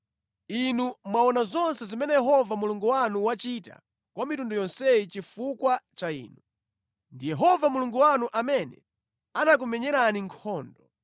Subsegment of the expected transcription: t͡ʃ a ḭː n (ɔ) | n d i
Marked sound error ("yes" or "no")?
yes